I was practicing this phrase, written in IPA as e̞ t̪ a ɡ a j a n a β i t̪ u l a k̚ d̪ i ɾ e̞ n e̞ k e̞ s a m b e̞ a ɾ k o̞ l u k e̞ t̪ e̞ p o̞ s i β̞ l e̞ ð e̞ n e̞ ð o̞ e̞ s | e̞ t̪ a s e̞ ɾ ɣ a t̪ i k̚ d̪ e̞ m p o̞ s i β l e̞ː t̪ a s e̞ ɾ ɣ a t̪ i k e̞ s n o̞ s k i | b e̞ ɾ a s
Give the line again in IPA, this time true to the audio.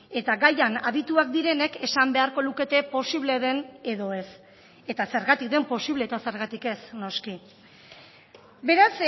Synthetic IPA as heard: e̞ t̪ a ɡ a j a n a β i t̪ u a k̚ d̪ i ɾ e̞ n e̞ k e̞ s a m b e̞ a ɾ k o̞ l u k e̞ t̪ e̞ p o̞ s i β̞ l e̞ ð e̞ n e̞ ð o̞ e̞ s | e̞ t̪ a s e̞ ɾ ɣ a t̪ i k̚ d̪ e̞ m p o̞ s i β l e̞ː t̪ a s e̞ ɾ ɣ a t̪ i k e̞ s n o̞ s k i | b e̞ ɾ a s